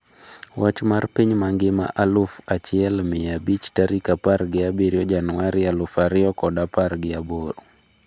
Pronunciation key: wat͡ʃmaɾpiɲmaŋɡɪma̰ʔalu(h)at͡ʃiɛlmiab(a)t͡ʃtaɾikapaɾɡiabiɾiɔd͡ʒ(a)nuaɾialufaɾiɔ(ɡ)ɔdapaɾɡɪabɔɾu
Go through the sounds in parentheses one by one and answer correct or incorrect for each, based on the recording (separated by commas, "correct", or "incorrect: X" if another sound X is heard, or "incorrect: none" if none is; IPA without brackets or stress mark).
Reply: incorrect: f, incorrect: i, correct, incorrect: k